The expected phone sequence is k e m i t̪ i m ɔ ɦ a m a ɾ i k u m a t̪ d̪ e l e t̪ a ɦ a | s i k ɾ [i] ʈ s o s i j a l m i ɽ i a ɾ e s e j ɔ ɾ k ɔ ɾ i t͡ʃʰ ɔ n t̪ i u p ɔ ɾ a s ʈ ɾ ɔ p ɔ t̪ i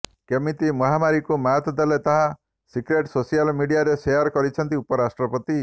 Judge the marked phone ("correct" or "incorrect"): incorrect